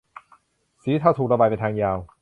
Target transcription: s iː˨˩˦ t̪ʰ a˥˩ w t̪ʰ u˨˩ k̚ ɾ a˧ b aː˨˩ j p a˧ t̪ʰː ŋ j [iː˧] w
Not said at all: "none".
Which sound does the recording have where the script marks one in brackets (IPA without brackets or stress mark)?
aː˧